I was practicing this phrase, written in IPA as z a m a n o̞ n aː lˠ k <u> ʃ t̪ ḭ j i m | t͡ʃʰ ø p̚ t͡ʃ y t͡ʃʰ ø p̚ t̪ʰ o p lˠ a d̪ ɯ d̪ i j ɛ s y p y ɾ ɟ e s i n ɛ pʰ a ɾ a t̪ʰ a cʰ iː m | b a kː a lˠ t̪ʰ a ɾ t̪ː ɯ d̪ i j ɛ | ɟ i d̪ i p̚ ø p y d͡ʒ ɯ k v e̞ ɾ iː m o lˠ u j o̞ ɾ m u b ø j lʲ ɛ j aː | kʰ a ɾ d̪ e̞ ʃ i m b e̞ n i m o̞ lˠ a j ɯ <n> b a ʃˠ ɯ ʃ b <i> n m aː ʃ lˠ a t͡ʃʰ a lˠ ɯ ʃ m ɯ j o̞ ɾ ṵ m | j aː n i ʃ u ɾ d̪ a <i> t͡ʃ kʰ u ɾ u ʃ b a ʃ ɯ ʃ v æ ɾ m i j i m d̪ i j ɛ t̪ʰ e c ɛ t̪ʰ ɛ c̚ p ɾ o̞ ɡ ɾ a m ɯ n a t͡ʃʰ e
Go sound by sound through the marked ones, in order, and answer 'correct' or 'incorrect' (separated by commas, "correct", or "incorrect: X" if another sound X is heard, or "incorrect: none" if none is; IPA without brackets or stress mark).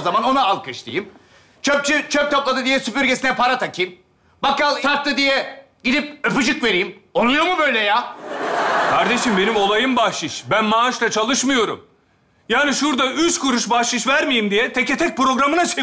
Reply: incorrect: ɯ, incorrect: m, incorrect: æ, incorrect: y